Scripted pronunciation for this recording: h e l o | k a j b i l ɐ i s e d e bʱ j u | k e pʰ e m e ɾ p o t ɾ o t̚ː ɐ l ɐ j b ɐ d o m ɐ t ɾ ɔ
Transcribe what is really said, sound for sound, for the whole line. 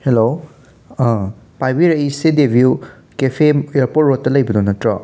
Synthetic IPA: h e l o | p a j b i ɾ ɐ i s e d e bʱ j u | k e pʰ e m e ɾ p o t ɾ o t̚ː ɐ l ɐ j b ɐ d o n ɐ t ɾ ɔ